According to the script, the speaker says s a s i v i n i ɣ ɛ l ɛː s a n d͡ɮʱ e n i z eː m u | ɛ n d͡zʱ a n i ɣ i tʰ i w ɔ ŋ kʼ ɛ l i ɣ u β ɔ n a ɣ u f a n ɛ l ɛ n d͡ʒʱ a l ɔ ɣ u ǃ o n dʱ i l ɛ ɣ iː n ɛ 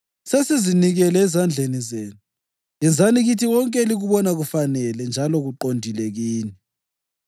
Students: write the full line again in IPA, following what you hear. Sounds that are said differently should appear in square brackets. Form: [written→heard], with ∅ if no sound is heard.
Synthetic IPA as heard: s [a→e] s i [v→z] i n i ɣ ɛ l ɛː [s→z] a n d͡ɮʱ e n i z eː [m→n] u | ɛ n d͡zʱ a n i ɣ i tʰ i w ɔ ŋ kʼ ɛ l i ɣ u β ɔ n a ɣ u f a n ɛ l ɛ n d͡ʒʱ a l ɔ ɣ u ǃ o n dʱ i l ɛ ɣ iː n ɛ

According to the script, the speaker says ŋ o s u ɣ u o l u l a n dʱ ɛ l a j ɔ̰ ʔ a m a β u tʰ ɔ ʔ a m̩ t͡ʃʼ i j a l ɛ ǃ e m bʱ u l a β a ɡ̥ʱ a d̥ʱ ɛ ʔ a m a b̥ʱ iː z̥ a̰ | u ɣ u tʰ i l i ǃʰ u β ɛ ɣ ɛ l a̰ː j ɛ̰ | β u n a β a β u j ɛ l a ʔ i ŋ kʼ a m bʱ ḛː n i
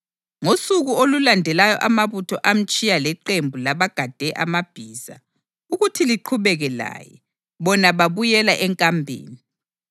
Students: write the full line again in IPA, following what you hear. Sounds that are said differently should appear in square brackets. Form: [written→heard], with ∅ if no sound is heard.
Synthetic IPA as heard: ŋ o s u ɣ u o l u l a n dʱ ɛ l a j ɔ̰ ʔ a m a β u tʰ ɔ ʔ a m̩ t͡ʃʼ i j a l ɛ ǃ e m bʱ u l a β a ɡ̥ʱ a d̥ʱ ɛ ʔ a m a b̥ʱ iː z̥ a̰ | u ɣ u tʰ i l i ǃʰ u β ɛ ɣ ɛ l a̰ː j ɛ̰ | β [u→ɔ] n a β a β u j ɛ l a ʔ [i→ɛ] ŋ kʼ a m bʱ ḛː n i

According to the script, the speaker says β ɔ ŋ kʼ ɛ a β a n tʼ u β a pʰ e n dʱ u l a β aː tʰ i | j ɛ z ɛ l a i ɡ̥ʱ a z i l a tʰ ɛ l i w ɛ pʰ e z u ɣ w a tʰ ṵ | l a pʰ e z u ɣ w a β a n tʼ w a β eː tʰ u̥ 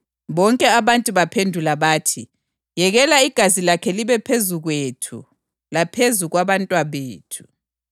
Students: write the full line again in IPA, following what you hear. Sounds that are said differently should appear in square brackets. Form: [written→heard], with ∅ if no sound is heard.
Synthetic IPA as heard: β ɔ ŋ kʼ ɛ a β a n tʼ u β a pʰ e n dʱ u l a β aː tʰ i | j ɛ [z→ɣ] ɛ l a i ɡ̥ʱ a z i l a [tʰ→kʰ] ɛ l i [w→β] ɛ pʰ e z u ɣ w [a→e] tʰ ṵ | l a pʰ e z u ɣ w a β a n tʼ w a β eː tʰ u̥

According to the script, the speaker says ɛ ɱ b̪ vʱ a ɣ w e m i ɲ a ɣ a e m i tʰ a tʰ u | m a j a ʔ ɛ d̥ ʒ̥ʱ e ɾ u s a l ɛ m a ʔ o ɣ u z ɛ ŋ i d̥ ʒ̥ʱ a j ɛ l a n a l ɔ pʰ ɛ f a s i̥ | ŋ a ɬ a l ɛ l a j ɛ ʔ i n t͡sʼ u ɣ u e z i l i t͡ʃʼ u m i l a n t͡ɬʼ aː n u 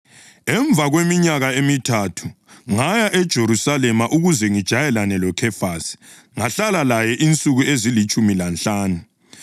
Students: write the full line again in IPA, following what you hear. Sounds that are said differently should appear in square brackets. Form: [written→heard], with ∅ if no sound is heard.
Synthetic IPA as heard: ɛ ɱ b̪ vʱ a ɣ w e m i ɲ a ɣ a e m i tʰ a tʰ u | [m→ŋ] a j a ʔ ɛ d̥ ʒ̥ʱ e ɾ u s a l ɛ m a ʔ [o→u] ɣ u z ɛ ŋ i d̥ ʒ̥ʱ a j ɛ l a n [a→ɛ] l ɔ [pʰ→kʰ] ɛ f a s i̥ | ŋ a ɬ a l [ɛ→a] l a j ɛ ʔ i n t͡sʼ u ɣ u e z i l i t͡ʃʼ u m i l a n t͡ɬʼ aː n u

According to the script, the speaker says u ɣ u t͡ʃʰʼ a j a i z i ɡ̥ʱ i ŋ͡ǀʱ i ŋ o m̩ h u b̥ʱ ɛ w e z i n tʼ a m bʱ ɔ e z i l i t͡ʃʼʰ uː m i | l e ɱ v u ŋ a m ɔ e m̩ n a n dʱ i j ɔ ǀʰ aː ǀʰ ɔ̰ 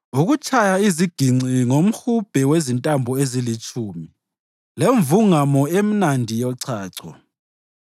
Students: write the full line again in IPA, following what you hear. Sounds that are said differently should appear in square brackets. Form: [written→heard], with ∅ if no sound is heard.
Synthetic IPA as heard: u ɣ u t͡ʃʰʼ a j a i z i ɡ̥ʱ i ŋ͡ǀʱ i ŋ o m̩ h u b̥ʱ ɛ w e z i n tʼ a m bʱ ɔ e z i l i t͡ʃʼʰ uː m i | l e ɱ v u ŋ a m ɔ e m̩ n a n dʱ i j ɔ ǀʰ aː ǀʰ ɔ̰

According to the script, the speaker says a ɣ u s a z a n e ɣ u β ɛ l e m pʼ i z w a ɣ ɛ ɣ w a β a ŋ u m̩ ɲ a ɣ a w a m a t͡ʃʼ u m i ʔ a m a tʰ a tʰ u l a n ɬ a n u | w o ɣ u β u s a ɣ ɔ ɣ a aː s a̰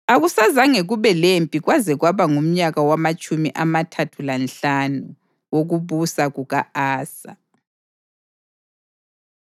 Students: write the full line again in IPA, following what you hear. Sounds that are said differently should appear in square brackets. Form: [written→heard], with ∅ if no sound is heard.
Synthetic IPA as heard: a ɣ u s a z a [n→ŋ] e ɣ u β ɛ l e m pʼ i [z→ɣ] w a [ɣ→z] ɛ ɣ w a β a ŋ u m̩ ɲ a ɣ a w a m a t͡ʃʼ u m i ʔ a m a tʰ a tʰ u l a n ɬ a n u | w o ɣ u β u s a ɣ [ɔ→u] ɣ a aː s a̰

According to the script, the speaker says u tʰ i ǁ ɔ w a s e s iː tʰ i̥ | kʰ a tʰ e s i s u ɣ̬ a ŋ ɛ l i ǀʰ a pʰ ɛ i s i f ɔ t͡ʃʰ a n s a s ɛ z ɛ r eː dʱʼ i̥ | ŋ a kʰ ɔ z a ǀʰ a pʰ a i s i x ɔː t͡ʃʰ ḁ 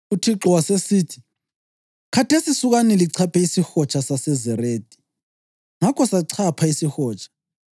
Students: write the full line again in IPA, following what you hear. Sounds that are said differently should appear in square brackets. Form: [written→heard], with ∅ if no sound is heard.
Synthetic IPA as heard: u tʰ i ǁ ɔ w a s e s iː tʰ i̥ | kʰ a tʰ e s i s u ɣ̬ a [ŋ→n] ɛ l i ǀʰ a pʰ ɛ i s i [f→x] ɔ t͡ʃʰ a [n→∅] s a s ɛ z ɛ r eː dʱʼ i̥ | ŋ a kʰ ɔ [z→s] a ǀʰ a pʰ a i s i x ɔː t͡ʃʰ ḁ

